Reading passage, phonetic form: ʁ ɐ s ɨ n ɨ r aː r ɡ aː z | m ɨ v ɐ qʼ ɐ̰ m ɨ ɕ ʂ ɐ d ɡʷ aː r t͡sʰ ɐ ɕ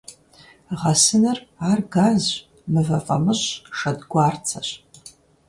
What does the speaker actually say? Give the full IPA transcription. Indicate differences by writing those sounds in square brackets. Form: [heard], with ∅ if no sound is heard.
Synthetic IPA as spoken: ʁ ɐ s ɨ n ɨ r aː r ɡ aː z | m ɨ v ɐ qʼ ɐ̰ m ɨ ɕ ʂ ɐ d ɡʷ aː r t͡sʰ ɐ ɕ